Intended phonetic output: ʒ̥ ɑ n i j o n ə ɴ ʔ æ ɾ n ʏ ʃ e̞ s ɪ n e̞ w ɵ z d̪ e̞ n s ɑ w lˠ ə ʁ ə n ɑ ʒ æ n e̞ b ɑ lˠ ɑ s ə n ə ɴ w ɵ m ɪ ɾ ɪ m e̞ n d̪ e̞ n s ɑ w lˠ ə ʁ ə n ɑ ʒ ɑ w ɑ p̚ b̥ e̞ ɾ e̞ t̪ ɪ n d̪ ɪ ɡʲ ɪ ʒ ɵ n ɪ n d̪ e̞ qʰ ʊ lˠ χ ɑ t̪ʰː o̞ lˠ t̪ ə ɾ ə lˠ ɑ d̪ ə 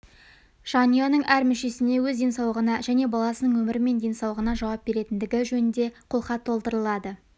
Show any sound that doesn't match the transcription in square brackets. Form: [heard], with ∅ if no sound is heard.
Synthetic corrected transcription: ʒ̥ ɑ n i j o n ə ɴ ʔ æ ɾ [m] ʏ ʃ e̞ s ɪ n e̞ w ɵ z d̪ e̞ n s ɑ w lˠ ə ʁ ə n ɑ ʒ æ n e̞ b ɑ lˠ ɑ s ə n ə ɴ w ɵ m ɪ ɾ ɪ m e̞ n d̪ e̞ n s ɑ w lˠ ə ʁ ə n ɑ ʒ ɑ w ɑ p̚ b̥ e̞ ɾ e̞ t̪ ɪ n d̪ ɪ ɡʲ ɪ ʒ ɵ n ɪ n d̪ e̞ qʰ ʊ lˠ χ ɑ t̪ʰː o̞ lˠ t̪ ə ɾ ə lˠ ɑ d̪ ə